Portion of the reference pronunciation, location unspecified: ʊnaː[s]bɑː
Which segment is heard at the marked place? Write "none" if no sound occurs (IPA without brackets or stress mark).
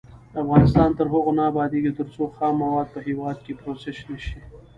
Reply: none